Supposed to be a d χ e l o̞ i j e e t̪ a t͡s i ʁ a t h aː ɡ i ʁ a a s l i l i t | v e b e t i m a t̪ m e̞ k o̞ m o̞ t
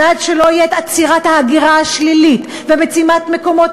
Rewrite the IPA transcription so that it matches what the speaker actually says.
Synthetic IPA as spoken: a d ʃ e l o̞ i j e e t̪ a t͡s i ʁ a t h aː ɡ i ʁ a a ʃ l i l i t | v e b e t͡s i m a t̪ m e̞ k o̞ m o̞ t